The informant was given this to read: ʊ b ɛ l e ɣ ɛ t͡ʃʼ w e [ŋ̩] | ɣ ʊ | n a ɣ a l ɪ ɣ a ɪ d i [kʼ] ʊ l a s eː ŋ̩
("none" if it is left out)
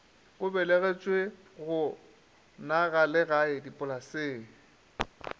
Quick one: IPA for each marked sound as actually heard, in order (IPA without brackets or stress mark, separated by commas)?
none, pʼ